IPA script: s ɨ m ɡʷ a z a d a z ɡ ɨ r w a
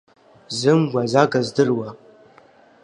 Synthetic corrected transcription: z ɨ m ɡʷ a z a ɡ a z d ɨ r w a

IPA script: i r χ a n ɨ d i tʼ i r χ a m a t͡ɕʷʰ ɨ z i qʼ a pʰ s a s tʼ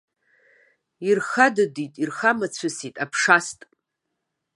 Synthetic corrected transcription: i r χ a d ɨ d i tʼ i r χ a m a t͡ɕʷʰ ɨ s i tʼ a pʰ ʂ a s tʼ

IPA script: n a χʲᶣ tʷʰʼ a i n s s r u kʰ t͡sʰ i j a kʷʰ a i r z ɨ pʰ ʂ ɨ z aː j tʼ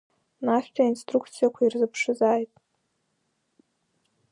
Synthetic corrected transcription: n a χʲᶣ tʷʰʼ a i n s t r u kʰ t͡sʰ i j a kʷʰ a i r z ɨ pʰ ʂ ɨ z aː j tʼ

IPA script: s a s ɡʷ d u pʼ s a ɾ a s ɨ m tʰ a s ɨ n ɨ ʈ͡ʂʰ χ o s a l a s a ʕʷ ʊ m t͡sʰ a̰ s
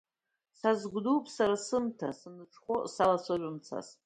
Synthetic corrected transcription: s a z ɡʷ d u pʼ s a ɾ a s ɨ m tʰ a s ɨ n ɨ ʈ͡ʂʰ χ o s a l a s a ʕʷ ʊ m t͡sʰ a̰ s

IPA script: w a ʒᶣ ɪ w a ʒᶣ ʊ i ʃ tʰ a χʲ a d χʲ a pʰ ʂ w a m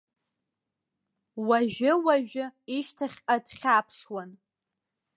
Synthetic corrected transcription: w a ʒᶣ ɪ w a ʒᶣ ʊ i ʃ tʰ a χʲ a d χʲ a pʰ ʂ w a n

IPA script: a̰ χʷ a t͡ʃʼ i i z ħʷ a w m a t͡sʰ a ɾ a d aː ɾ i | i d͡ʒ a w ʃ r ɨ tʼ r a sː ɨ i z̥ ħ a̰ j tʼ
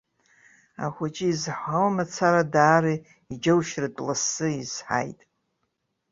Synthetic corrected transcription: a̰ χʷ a t͡ʃʼ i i z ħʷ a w m a t͡sʰ a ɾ a d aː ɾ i | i d͡ʒ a w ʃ r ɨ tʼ l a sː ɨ i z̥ ħ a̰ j tʼ

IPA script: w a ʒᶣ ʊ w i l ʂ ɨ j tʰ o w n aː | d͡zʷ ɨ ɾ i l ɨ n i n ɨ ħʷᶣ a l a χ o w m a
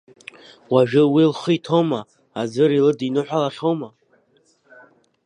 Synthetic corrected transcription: w a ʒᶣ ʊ w i l χ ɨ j tʰ o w m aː | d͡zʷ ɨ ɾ i l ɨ d i n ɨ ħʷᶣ a l a χ o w m a

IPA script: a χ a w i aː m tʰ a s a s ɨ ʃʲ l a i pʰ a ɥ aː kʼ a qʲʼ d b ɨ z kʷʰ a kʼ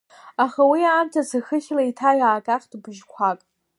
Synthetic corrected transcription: a χ a w i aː m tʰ a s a x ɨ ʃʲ l a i tʰ a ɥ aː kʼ a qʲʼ d b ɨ ʒ kʷʰ a kʼ

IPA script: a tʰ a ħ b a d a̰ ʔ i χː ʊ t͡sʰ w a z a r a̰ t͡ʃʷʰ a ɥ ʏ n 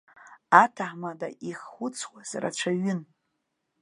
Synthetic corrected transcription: a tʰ a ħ m a d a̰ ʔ i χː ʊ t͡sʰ w a z a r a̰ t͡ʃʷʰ a ɥ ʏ n

